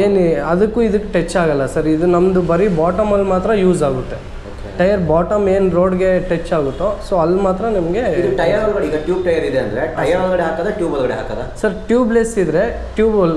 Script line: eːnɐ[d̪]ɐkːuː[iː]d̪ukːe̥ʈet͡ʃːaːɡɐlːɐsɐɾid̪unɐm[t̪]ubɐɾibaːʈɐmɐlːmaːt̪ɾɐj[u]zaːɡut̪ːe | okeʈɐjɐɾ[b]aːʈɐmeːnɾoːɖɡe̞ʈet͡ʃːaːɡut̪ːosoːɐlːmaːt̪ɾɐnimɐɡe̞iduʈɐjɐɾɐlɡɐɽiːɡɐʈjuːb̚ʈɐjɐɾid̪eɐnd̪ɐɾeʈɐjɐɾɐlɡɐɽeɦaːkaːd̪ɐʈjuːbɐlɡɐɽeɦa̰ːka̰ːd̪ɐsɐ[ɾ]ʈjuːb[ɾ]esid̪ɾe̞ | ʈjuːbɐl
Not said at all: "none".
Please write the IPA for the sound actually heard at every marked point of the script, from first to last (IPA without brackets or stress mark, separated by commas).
d̪, i, d̪, uː, b, ɾ, l